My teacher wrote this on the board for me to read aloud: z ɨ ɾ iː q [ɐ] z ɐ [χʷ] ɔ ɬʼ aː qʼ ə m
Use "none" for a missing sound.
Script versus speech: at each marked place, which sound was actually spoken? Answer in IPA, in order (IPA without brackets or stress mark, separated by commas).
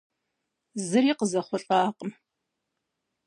ə, χʷ